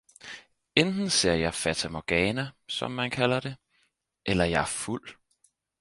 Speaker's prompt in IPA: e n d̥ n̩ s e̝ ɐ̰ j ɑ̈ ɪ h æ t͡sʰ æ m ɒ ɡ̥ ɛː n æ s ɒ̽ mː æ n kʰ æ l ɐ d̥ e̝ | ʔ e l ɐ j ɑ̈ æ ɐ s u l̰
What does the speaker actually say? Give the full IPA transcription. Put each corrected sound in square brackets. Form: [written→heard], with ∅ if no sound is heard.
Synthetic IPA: e n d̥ n̩ s e̝ ɐ̰ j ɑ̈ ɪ [h→f] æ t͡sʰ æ m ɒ ɡ̥ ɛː n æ s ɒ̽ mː æ n kʰ æ l ɐ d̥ e̝ | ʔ e l ɐ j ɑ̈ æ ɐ [s→f] u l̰